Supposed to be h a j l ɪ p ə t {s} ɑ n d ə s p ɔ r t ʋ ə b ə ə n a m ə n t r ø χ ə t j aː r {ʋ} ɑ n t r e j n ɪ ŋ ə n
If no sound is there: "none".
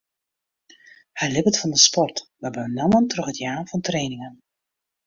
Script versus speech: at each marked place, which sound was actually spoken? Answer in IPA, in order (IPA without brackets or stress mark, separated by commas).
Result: f, v